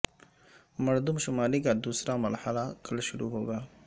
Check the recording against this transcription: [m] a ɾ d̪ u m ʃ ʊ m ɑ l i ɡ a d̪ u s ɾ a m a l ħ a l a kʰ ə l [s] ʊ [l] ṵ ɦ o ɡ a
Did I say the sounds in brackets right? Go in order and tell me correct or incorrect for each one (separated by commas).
correct, incorrect, incorrect